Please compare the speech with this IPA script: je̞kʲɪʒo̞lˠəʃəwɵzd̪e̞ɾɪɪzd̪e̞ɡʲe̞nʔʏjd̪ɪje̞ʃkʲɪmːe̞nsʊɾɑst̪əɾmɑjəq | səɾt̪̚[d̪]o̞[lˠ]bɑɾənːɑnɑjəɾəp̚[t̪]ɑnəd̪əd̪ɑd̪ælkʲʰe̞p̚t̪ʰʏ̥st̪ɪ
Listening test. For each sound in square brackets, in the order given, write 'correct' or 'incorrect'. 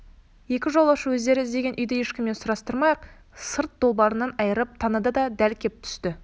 correct, correct, incorrect: t̪ʰ

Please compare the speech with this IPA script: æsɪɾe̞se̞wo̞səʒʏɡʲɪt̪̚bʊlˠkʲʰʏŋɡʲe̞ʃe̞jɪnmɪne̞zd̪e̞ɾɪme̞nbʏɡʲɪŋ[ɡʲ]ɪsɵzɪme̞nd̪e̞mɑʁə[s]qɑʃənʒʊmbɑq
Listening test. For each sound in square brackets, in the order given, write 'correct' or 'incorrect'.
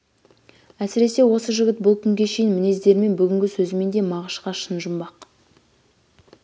correct, incorrect: ʃ

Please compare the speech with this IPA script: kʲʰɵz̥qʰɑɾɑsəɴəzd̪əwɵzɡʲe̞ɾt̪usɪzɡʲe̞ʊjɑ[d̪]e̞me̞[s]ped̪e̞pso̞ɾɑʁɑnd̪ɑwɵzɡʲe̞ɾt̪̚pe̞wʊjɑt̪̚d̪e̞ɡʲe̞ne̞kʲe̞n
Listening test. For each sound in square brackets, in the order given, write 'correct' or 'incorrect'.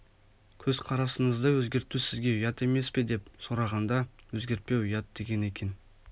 incorrect: t̪, correct

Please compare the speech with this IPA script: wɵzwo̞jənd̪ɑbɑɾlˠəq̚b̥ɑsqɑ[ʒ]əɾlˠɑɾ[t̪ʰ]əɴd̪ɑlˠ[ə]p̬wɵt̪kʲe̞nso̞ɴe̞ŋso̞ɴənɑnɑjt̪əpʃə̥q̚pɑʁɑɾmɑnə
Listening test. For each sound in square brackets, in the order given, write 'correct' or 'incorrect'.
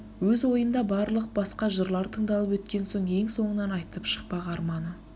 correct, correct, correct

